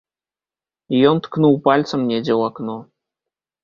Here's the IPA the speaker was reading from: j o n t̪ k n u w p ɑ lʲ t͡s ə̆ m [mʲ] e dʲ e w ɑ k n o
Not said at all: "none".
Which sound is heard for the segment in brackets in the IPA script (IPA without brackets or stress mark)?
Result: nʲ